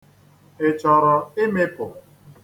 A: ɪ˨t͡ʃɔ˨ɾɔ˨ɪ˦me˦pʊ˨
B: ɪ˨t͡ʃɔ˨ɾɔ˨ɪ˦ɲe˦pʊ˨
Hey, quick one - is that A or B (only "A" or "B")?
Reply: A